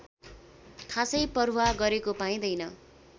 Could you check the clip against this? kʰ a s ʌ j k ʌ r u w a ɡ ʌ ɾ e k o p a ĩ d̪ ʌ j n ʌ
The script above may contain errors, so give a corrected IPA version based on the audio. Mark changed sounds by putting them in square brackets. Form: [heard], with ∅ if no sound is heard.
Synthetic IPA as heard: kʰ a s ʌ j [p] ʌ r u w a ɡ ʌ ɾ e k o p a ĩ d̪ ʌ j n ʌ